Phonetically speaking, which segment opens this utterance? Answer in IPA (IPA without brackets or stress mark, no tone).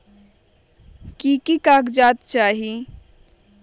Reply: k